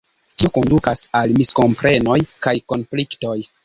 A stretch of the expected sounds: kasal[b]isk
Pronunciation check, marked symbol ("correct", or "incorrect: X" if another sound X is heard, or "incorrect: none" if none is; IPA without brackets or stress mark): incorrect: m